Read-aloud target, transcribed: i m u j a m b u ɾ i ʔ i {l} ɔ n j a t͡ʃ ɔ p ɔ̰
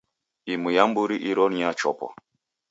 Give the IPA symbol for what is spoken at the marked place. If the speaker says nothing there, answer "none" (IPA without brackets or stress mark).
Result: ɾ